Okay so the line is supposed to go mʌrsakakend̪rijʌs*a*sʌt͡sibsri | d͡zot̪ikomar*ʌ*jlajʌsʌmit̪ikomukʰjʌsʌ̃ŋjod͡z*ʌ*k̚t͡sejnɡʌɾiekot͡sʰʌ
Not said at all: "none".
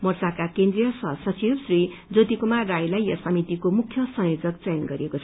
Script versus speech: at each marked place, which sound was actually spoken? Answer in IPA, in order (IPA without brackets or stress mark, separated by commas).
ʌ, a, ʌ